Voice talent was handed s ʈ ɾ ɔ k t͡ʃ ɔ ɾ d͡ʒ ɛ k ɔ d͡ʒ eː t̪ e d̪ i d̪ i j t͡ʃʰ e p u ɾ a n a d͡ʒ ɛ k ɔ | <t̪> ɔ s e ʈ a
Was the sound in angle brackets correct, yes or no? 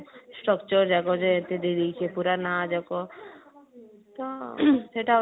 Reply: yes